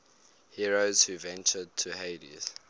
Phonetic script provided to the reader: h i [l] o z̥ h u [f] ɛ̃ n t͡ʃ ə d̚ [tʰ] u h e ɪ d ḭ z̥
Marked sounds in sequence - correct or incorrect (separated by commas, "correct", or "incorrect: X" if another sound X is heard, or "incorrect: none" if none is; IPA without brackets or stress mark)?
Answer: incorrect: ɹ, incorrect: v, correct